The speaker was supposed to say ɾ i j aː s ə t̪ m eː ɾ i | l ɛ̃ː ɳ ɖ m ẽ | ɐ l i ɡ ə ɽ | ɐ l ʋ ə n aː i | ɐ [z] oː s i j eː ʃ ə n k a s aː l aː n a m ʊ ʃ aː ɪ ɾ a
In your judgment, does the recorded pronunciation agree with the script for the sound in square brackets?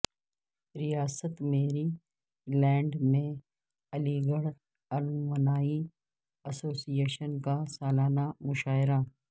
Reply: no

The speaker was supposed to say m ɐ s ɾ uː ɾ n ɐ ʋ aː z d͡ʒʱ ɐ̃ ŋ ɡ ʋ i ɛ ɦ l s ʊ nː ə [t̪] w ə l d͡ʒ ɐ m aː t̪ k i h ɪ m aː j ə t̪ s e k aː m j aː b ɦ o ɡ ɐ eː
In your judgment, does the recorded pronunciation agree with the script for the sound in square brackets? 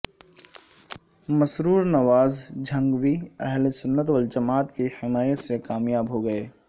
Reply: yes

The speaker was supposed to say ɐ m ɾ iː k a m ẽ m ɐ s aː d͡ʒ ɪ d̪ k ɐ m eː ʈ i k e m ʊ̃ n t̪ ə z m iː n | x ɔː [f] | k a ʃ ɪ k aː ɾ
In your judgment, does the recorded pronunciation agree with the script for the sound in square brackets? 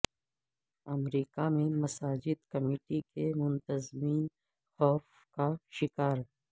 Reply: yes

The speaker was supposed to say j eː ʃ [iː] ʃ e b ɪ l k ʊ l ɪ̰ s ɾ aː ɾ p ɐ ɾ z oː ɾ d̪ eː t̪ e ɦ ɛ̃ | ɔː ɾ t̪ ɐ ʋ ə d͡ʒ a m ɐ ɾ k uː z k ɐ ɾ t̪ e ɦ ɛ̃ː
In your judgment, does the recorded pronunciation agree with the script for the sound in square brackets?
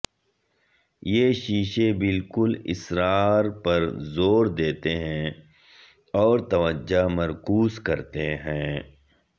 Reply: yes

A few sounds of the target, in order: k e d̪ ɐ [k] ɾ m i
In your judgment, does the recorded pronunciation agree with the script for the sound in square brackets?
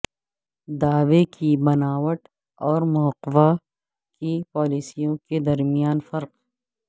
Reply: no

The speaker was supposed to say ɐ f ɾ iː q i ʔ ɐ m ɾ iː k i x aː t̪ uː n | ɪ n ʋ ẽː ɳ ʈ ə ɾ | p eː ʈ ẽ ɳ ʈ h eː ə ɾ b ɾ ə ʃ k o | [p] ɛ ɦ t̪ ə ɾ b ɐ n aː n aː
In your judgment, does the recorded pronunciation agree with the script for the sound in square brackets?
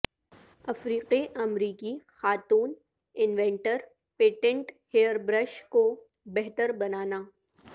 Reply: no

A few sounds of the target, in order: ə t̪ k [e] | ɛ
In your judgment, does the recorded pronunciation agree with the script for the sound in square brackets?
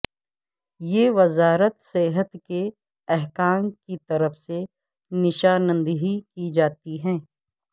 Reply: yes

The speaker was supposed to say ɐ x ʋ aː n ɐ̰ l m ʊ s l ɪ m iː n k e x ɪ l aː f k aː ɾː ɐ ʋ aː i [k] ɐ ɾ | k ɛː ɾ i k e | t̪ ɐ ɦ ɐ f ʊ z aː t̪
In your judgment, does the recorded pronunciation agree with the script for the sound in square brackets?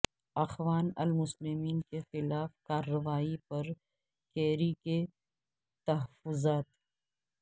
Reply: no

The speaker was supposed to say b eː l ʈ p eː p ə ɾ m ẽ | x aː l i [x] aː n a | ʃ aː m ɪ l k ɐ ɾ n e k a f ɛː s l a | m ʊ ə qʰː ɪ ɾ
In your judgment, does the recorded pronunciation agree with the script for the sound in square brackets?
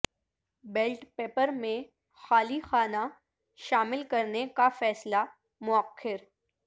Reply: yes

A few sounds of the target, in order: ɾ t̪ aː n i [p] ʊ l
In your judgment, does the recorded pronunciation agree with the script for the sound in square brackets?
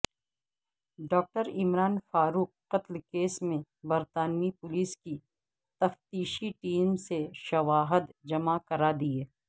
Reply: yes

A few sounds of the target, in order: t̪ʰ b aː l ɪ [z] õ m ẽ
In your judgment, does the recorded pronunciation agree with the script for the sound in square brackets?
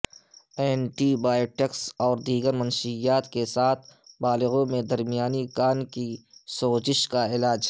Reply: no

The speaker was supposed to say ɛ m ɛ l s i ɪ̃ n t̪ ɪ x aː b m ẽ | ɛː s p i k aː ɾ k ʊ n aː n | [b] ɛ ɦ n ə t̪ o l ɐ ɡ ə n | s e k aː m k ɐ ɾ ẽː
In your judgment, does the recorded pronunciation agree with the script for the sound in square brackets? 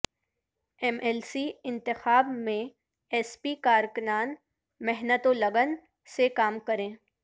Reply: no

